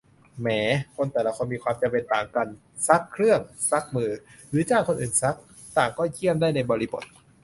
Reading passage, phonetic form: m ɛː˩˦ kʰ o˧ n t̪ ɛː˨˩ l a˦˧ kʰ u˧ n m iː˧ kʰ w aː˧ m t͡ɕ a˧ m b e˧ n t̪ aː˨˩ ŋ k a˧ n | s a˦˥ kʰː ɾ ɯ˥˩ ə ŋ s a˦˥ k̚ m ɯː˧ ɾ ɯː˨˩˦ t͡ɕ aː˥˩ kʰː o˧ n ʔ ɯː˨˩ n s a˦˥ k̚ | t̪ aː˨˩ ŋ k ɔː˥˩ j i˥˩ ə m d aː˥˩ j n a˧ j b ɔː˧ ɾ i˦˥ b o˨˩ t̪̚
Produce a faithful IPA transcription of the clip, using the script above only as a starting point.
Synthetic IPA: m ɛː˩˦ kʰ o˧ n t̪ ɛː˨˩ l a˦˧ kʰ o˧ n m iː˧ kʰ w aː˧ m t͡ɕ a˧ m p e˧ n t̪ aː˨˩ ŋ k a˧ n | s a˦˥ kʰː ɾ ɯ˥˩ ə ŋ s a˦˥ k̚ m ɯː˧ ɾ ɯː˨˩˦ t͡ɕ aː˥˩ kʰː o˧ n ʔ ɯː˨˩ n s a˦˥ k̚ | t̪ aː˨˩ ŋ k ɔː˥˩ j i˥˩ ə m d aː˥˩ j n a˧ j b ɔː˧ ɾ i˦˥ b o˨˩ t̪̚

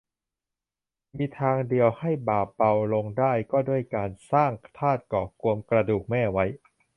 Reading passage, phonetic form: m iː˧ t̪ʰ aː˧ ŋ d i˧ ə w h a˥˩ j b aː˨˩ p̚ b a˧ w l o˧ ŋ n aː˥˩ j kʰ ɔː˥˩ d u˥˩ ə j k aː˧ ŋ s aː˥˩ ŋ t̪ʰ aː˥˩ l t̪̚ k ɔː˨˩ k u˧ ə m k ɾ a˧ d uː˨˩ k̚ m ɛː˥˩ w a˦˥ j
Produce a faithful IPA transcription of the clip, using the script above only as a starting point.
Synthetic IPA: m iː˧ t̪ʰ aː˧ ŋ d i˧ ə w h a˥˩ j b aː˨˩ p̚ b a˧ w l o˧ ŋ d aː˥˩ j k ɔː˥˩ d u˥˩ ə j k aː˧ n s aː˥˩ ŋ t̪ʰ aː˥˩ t̪̚ k ɔː˨˩ k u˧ ə m k ɾ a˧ d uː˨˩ k̚ m ɛː˥˩ w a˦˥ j

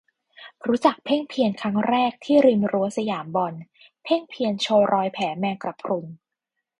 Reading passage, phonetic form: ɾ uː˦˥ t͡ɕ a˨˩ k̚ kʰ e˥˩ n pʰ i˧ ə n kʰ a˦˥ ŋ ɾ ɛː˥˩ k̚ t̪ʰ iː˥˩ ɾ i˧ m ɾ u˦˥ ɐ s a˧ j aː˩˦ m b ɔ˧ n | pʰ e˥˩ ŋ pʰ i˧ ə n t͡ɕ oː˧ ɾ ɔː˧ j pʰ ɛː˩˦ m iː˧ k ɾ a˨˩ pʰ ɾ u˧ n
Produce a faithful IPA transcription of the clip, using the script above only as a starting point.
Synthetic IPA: ɾ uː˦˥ t͡ɕ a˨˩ k̚ pʰ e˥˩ ŋ pʰ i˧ ə n kʰ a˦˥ ŋ ɾ ɛː˥˩ k̚ t̪ʰ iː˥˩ ɾ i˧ m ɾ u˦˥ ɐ s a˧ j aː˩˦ m b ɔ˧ n | pʰ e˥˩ ŋ pʰ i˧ ə n t͡ɕʰ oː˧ ɾ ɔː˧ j pʰ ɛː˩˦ m ɛː˧ k ɾ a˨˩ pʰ ɾ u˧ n

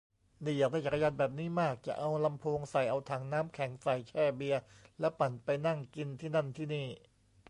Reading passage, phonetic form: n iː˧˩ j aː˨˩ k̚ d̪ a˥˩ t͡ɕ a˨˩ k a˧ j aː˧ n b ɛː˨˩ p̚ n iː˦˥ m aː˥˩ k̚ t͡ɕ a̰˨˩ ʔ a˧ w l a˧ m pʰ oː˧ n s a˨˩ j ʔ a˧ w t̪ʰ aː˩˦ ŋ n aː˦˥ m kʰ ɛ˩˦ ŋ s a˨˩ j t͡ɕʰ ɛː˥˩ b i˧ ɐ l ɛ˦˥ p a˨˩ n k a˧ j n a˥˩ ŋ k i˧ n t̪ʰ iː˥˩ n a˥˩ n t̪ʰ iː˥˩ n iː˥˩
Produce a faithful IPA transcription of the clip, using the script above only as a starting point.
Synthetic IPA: n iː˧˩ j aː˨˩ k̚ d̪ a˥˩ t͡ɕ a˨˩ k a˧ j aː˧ n b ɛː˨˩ p̚ n iː˦˥ m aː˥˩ k̚ t͡ɕ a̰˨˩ ʔ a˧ w l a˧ m pʰ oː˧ ŋ s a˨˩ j ʔ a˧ w t̪ʰ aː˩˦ ŋ n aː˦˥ m kʰ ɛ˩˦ ŋ s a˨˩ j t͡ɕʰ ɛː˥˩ b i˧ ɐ l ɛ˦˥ p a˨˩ n p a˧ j n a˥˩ ŋ k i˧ n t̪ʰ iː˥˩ n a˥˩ n t̪ʰ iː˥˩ n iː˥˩

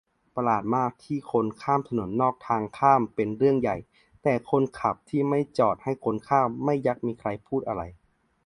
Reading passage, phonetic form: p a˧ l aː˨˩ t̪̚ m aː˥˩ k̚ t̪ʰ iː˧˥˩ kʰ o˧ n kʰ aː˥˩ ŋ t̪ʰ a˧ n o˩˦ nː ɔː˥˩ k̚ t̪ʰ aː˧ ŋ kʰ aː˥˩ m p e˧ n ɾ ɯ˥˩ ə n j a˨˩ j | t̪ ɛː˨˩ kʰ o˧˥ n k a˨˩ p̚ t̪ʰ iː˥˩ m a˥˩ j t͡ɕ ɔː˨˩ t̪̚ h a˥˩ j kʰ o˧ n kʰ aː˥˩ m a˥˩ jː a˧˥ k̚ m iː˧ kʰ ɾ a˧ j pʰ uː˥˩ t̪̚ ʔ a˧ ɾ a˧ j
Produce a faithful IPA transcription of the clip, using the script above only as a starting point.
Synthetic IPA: p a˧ l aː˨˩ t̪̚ m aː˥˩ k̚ t̪ʰ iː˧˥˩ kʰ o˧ n kʰ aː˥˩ m t̪ʰ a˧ n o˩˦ nː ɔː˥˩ k̚ t̪ʰ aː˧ ŋ kʰ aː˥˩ m p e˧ n ɾ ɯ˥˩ ə ŋ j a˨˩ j | t̪ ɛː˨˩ kʰ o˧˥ n kʰ a˨˩ p̚ t̪ʰ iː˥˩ m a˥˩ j t͡ɕ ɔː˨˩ t̪̚ h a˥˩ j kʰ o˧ n kʰ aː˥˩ m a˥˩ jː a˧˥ k̚ m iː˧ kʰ ɾ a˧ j pʰ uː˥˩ t̪̚ ʔ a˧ ɾ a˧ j

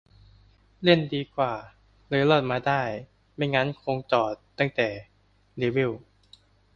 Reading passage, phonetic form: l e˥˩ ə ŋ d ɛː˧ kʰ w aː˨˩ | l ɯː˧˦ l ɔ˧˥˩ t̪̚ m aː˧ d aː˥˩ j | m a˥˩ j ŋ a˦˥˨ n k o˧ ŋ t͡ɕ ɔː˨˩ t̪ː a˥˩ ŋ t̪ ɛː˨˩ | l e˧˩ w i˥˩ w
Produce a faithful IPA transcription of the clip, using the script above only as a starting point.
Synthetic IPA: l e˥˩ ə n d iː˧ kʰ w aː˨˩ | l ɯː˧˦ l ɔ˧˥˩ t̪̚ m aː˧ d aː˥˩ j | m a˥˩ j ŋ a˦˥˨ n kʰ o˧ ŋ t͡ɕ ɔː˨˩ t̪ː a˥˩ ŋ t̪ ɛː˨˩ | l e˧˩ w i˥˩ w

